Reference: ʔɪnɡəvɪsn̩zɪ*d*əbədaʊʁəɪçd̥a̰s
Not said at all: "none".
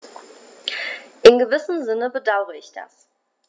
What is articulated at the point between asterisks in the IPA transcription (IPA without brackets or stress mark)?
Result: n